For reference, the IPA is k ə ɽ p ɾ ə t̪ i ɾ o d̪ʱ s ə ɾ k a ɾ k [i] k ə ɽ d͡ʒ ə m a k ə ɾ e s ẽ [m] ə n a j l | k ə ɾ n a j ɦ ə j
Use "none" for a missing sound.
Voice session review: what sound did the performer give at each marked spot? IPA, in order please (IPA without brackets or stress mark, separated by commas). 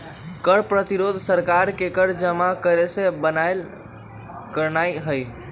e, b